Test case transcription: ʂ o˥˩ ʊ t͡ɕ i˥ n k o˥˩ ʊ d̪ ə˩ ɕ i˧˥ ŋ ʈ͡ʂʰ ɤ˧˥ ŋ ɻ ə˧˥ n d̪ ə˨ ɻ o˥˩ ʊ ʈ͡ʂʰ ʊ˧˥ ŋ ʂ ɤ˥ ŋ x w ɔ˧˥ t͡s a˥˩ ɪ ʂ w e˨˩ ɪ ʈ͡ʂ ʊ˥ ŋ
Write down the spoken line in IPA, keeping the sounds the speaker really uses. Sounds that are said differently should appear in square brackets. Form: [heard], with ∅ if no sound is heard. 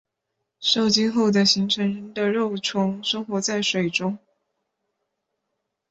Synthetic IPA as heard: ʂ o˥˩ ʊ t͡ɕ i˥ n [x] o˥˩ ʊ d̪ ə˩ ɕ i˧˥ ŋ ʈ͡ʂʰ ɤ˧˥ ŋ ɻ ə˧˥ n d̪ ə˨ ɻ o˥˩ ʊ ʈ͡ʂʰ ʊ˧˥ ŋ ʂ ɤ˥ ŋ x w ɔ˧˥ t͡s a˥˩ ɪ ʂ w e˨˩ ɪ ʈ͡ʂ ʊ˥ ŋ